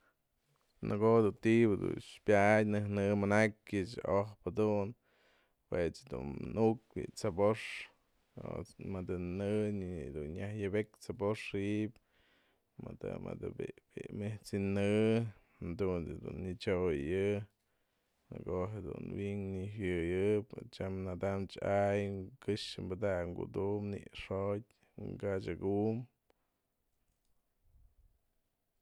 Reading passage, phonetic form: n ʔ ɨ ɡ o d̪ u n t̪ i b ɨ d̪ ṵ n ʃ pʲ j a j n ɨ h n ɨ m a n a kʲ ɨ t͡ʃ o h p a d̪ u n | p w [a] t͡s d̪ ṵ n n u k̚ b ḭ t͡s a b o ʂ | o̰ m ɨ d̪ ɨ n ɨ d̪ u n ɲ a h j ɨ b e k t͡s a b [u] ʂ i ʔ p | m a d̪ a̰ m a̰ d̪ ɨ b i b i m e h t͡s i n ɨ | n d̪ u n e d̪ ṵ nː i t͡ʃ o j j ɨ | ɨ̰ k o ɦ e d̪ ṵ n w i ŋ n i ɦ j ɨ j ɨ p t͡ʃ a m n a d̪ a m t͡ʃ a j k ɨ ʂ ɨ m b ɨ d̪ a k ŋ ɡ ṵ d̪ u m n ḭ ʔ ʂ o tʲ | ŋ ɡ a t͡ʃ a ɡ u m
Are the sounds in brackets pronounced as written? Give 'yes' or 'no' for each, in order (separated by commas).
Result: no, no